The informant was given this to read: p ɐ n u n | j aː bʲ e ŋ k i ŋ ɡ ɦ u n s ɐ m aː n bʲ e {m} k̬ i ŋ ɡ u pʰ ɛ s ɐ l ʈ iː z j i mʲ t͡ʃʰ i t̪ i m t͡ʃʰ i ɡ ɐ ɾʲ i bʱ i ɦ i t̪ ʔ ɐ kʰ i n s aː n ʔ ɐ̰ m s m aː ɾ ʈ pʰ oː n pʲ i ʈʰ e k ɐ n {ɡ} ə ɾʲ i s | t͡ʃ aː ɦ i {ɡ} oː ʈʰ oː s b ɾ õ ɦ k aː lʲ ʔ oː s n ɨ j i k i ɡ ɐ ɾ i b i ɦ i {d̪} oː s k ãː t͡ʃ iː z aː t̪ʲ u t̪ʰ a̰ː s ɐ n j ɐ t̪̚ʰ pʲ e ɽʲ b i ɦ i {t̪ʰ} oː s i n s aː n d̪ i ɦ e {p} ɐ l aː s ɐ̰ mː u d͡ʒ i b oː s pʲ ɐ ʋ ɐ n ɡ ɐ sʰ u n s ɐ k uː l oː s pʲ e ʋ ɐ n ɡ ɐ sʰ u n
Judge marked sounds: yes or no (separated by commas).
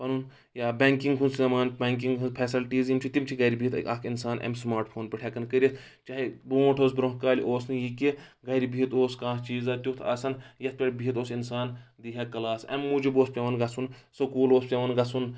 no, no, no, no, no, no